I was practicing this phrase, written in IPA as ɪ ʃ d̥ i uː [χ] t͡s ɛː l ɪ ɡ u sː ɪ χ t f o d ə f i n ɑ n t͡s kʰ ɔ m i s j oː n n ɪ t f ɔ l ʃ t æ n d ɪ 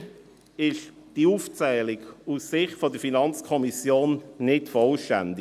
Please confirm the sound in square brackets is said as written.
no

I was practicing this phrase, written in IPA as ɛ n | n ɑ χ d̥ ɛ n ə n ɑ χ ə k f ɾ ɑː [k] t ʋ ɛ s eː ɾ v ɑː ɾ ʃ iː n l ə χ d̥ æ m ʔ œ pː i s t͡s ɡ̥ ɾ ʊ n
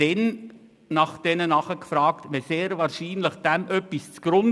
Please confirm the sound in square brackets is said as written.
yes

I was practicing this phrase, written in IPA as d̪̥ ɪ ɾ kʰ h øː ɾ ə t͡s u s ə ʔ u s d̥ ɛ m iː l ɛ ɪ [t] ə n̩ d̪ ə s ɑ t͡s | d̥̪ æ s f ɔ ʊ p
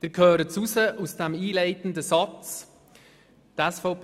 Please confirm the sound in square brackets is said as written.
yes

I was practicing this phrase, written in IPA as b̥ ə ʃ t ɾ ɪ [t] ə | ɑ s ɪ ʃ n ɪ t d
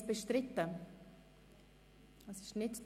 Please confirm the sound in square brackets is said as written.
yes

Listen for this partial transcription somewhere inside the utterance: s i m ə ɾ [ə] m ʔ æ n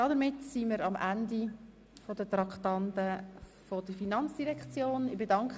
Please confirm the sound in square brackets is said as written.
no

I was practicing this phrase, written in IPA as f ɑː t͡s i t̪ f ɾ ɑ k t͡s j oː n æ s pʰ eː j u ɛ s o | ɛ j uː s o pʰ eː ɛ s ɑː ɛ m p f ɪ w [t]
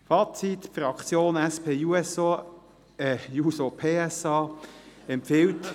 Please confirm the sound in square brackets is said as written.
yes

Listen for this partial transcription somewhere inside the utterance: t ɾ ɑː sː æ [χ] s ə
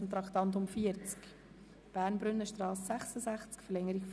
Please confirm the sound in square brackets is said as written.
yes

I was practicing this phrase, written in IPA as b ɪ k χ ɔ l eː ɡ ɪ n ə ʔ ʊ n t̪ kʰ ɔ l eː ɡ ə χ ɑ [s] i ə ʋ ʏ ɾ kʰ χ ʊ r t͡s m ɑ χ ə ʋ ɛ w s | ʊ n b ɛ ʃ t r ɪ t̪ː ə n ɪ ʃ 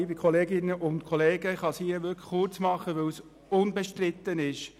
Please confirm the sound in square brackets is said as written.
yes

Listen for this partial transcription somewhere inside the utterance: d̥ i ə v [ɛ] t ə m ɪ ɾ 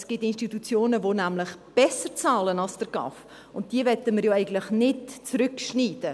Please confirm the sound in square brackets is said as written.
yes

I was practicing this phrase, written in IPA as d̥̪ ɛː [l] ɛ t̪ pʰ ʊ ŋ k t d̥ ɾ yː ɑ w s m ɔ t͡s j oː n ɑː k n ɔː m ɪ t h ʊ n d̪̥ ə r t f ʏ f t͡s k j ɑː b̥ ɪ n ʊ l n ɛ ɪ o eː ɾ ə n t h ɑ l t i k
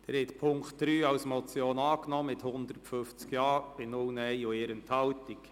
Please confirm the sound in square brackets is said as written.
no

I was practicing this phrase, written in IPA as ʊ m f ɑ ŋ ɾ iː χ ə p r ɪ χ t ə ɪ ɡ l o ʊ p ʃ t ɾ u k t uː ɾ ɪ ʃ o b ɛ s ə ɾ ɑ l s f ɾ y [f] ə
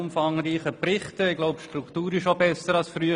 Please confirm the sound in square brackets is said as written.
no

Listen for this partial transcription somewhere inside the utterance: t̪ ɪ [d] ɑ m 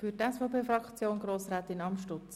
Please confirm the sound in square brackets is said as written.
no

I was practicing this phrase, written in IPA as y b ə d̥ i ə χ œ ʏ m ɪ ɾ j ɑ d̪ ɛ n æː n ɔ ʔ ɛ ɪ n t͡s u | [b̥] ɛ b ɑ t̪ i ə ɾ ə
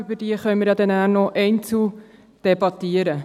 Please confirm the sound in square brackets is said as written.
no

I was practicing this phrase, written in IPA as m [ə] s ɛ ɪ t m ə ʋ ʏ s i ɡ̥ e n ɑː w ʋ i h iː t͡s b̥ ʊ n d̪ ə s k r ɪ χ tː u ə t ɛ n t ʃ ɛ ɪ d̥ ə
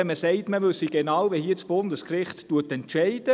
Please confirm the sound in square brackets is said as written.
yes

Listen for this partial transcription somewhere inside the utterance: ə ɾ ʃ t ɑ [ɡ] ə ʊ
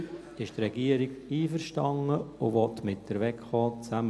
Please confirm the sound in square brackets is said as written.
no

